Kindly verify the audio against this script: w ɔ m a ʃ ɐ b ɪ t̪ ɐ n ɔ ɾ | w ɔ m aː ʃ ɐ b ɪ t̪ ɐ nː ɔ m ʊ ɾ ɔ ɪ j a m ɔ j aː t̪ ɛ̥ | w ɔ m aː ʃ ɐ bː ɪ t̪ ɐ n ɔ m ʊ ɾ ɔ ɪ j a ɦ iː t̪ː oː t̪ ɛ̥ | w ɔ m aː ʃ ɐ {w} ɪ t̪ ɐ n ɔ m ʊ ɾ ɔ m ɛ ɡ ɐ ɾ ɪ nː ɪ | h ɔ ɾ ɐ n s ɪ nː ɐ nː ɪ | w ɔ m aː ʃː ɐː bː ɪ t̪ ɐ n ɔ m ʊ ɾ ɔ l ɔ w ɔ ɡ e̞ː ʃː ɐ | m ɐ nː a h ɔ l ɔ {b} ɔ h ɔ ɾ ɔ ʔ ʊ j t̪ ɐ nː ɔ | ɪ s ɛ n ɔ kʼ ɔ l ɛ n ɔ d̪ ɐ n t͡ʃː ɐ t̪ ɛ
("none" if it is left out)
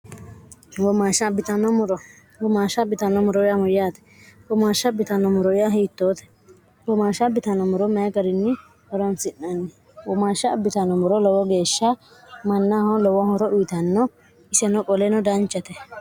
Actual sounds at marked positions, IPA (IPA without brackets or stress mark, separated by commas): b, w